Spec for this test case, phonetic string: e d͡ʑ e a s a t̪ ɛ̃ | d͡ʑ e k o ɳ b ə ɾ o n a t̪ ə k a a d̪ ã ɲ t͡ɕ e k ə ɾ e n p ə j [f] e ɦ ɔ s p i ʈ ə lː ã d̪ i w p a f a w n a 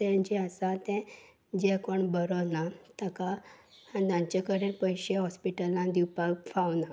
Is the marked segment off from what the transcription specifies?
yes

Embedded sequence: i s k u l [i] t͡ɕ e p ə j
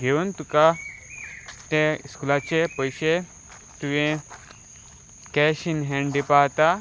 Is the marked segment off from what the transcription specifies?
yes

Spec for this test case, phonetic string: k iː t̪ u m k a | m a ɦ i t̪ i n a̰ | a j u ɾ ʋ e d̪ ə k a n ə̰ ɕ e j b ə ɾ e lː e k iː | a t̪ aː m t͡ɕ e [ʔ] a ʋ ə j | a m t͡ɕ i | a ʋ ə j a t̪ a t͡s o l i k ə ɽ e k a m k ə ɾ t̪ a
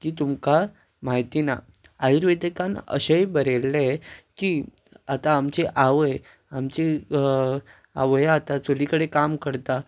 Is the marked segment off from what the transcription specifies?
no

